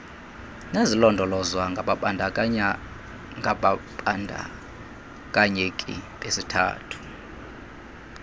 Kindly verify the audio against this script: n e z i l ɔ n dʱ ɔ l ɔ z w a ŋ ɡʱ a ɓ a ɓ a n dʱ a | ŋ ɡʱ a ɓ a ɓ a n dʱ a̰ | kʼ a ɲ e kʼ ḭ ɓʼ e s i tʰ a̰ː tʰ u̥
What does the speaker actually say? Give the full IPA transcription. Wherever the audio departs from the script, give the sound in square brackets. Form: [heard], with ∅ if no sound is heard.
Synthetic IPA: n e z i l ɔ n dʱ ɔ l ɔ z w a ŋ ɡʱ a ɓ a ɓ a n dʱ a | ŋ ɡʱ a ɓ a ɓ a n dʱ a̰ | kʼ a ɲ e kʼ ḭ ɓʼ e s i tʰ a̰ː tʰ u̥